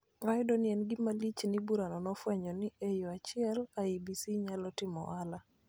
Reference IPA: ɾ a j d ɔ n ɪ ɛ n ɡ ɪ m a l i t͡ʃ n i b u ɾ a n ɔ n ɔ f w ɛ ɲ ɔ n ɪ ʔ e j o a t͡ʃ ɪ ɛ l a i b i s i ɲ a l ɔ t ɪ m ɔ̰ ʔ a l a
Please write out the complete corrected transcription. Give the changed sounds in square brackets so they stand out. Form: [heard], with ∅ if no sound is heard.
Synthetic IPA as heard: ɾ a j d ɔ n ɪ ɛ n ɡ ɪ m a l i t͡ʃ n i b u ɾ a n ɔ n ɔ f w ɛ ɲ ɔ n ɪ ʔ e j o a t͡ʃ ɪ ɛ l a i b i s i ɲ a l ɔ t ɪ m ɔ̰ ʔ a l a